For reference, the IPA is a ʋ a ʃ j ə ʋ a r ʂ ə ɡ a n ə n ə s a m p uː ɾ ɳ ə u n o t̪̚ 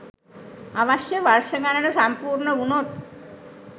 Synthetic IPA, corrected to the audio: a ʋ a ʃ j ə ʋ a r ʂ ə ɡ a n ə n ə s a m p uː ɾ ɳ ə u n o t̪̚